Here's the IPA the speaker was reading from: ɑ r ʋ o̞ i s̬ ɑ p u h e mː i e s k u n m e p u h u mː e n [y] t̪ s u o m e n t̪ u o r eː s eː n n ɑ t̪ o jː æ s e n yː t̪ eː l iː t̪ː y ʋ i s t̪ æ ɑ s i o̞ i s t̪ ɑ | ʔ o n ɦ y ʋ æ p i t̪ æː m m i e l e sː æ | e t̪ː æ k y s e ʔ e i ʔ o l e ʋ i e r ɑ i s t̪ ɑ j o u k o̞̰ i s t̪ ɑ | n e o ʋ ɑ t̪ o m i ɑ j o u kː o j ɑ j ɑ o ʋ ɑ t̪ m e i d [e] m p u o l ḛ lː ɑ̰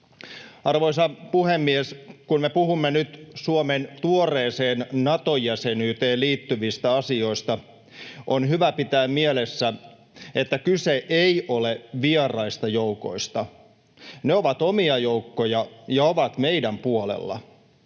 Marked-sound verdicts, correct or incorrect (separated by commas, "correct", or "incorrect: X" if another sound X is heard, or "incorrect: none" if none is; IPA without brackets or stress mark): correct, incorrect: æ